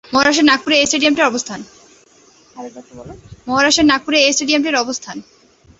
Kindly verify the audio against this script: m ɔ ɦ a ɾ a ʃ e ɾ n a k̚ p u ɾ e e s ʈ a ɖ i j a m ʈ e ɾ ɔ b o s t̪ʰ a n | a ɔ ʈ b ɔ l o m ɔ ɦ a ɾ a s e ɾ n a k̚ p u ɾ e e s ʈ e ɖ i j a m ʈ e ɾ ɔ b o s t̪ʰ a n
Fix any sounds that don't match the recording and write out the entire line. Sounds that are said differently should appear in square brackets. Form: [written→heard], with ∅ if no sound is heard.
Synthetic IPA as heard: m ɔ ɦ a ɾ a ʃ e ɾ n a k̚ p u ɾ e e s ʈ [a→e] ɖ i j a m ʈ e ɾ ɔ b o s t̪ʰ a n | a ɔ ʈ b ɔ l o m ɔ ɦ a ɾ a [s→ʃ] e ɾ n a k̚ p u ɾ e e s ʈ e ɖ i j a m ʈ e ɾ ɔ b o s t̪ʰ a n

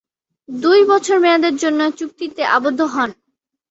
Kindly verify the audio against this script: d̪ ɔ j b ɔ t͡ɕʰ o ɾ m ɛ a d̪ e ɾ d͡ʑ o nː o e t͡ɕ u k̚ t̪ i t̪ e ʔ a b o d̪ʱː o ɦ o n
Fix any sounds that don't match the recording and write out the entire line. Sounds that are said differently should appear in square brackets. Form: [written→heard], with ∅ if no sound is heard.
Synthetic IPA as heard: d̪ [ɔ→u] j b ɔ t͡ɕʰ o ɾ m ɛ a d̪ e ɾ d͡ʑ o nː o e t͡ɕ u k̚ t̪ i t̪ e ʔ a b o d̪ʱː o ɦ [o→ɔ] n

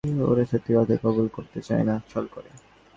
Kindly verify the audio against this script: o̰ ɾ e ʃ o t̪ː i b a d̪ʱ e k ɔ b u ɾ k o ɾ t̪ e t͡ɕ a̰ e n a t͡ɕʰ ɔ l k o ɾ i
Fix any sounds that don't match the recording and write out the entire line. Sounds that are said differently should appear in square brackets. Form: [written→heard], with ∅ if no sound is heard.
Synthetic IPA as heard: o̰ ɾ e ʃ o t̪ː i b a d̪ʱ e k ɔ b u [ɾ→l] k o ɾ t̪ e t͡ɕ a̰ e n a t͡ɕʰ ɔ l k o ɾ [i→e]

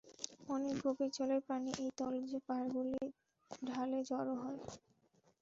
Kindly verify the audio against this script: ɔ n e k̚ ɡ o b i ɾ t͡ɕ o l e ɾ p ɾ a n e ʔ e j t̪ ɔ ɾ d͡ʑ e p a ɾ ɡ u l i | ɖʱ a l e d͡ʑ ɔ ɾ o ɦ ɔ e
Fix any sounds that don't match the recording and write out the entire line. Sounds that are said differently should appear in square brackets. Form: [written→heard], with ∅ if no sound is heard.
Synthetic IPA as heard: ɔ n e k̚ ɡ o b i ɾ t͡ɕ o l e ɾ p ɾ a n [e→i] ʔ e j t̪ ɔ [ɾ→l] d͡ʑ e p a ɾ ɡ u l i | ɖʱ a l e d͡ʑ ɔ ɾ o ɦ ɔ e

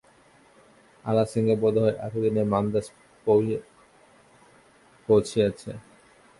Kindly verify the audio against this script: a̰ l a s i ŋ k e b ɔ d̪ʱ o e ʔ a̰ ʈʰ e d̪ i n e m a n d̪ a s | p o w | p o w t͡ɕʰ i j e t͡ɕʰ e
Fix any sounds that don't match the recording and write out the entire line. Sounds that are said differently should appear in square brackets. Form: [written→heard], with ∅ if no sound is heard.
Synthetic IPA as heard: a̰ l a s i ŋ [k→ɡ] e b ɔ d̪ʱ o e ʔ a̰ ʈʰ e d̪ i n e m a n d̪ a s | p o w | p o w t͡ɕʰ i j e t͡ɕʰ e

